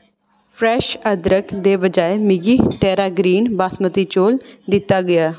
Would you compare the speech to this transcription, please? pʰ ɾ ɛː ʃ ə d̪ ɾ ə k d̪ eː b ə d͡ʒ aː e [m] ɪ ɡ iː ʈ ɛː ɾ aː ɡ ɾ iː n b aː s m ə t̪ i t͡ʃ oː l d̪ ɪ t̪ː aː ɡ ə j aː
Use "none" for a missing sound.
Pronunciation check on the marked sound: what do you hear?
m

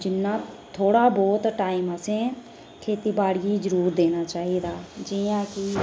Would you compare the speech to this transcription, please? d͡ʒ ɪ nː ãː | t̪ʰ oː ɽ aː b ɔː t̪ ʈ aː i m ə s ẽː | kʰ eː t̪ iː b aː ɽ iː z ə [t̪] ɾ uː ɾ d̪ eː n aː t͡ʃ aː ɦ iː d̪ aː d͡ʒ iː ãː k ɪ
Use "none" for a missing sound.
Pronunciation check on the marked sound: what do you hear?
none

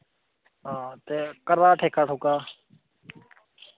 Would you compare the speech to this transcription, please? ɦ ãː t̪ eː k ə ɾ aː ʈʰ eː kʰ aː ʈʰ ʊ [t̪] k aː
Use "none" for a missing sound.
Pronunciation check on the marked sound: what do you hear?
none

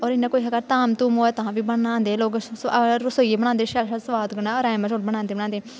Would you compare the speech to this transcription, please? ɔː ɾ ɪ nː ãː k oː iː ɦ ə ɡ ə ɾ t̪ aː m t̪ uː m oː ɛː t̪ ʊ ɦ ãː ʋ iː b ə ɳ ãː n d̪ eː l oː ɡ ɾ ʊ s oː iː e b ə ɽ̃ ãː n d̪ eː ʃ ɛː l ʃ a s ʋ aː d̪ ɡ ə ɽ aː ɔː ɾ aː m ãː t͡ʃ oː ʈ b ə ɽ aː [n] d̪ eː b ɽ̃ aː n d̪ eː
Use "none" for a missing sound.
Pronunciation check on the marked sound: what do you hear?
n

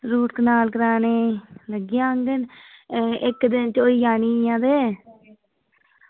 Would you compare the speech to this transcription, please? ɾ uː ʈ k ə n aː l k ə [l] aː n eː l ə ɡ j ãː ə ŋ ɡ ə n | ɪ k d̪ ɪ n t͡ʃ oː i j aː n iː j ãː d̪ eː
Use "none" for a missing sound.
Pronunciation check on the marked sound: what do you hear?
ɾ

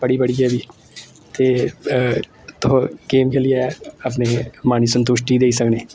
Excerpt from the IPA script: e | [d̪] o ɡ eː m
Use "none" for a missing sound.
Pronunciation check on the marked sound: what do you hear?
t̪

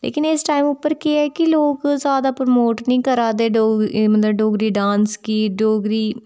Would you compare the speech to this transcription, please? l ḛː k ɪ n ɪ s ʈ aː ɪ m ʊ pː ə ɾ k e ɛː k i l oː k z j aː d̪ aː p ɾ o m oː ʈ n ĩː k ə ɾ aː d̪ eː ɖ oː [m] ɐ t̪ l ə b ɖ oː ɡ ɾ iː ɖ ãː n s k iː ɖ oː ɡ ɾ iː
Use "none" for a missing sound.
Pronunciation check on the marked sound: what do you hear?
m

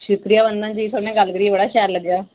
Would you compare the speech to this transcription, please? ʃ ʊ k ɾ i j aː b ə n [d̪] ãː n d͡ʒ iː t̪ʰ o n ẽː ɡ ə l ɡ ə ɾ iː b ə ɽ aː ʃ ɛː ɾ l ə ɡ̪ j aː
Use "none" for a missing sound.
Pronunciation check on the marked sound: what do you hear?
d̪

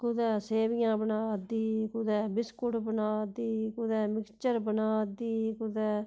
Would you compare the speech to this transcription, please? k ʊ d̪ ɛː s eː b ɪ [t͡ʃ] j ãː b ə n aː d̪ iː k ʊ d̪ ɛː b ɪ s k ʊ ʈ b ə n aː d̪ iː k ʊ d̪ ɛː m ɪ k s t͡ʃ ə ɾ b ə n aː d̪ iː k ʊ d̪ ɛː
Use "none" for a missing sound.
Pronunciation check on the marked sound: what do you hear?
none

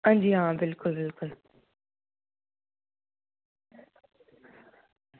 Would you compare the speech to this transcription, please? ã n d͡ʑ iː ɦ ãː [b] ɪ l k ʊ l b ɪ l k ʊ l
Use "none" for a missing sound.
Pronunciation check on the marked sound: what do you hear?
b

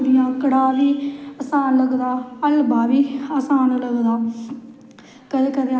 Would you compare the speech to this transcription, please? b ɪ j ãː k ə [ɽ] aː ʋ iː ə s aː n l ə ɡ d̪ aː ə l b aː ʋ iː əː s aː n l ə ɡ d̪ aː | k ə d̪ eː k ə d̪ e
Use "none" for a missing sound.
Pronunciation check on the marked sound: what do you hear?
ɽ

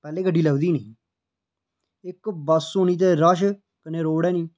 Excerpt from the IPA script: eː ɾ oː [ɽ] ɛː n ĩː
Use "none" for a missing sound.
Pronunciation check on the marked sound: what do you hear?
ɽ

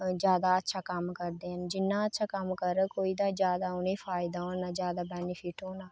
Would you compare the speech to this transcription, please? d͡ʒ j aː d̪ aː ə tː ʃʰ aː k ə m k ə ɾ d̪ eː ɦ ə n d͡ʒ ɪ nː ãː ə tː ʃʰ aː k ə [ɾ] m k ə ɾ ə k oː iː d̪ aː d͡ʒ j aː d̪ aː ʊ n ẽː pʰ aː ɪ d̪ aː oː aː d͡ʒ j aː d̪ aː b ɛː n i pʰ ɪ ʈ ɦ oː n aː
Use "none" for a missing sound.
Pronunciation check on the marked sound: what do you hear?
none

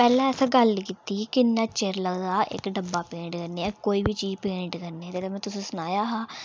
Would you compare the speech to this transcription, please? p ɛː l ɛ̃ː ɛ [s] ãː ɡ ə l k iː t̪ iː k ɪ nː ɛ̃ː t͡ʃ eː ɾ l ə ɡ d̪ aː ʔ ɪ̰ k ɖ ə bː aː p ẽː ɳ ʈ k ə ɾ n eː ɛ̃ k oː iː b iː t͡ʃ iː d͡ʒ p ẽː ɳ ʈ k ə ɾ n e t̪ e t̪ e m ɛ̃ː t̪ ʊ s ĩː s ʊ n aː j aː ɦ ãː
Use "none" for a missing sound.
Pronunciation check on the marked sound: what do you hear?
s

